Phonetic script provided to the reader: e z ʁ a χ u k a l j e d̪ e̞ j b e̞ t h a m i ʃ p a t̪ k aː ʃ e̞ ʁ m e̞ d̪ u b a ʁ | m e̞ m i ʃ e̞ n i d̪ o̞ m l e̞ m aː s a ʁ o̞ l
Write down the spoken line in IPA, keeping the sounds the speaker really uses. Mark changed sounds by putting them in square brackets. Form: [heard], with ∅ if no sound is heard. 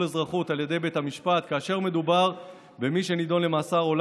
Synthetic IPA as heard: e z ʁ a χ u [t] a l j e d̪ e̞ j b e̞ t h a m i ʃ p a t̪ k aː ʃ e̞ ʁ m e̞ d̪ u b a ʁ | [b] e̞ m i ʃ e̞ n i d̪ o̞ [n] l e̞ m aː s a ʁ o̞ l